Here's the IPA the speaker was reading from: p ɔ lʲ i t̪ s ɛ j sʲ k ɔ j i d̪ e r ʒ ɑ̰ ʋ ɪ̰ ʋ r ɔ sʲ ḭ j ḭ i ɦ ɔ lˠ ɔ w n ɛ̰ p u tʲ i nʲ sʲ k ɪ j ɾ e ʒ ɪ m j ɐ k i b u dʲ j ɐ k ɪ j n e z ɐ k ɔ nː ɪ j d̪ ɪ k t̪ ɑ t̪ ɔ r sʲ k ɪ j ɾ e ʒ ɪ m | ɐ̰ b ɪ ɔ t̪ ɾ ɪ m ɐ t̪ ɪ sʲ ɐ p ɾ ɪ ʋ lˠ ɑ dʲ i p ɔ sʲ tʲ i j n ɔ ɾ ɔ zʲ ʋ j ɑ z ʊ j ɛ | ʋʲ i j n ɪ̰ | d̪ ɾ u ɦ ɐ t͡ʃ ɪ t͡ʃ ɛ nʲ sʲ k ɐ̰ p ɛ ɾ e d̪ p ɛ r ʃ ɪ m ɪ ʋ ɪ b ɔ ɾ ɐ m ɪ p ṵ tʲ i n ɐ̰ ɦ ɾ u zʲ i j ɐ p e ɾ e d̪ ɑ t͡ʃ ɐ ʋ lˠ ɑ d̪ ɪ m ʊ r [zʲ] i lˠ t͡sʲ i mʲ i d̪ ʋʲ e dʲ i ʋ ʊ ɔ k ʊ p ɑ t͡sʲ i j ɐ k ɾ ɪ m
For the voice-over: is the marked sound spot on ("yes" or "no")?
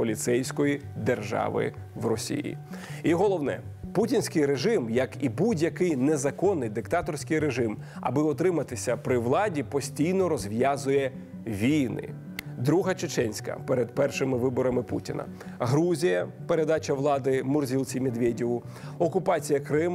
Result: yes